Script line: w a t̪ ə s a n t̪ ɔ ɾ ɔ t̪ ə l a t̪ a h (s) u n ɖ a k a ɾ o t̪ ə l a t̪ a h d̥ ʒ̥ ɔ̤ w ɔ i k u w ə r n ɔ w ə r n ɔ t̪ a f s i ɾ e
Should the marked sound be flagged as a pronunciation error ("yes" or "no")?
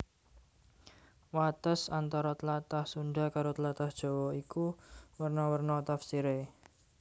no